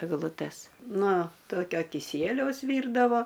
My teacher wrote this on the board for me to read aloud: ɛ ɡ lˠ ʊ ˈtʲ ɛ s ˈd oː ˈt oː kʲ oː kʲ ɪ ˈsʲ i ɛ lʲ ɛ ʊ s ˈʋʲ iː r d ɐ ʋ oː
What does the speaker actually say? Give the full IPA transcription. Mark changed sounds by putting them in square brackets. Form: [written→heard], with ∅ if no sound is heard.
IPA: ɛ ɡ lˠ ʊ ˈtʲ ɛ s [ˈd→ˈn] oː ˈt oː kʲ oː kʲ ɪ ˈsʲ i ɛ lʲ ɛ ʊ s ˈʋʲ iː r d ɐ ʋ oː